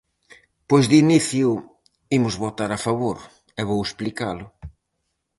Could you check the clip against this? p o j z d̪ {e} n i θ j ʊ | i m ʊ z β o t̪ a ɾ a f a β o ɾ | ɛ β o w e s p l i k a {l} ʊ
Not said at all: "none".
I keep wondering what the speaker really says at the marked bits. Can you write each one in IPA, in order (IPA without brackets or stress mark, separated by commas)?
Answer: i, l